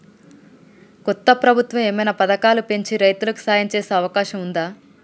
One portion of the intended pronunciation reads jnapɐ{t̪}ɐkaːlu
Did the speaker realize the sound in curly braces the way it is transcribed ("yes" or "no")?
no